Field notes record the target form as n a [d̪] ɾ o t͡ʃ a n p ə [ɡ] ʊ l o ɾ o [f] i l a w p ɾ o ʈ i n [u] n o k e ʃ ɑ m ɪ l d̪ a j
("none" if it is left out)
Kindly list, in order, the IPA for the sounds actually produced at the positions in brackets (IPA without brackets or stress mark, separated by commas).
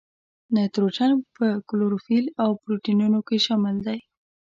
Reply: t̪, k, f, u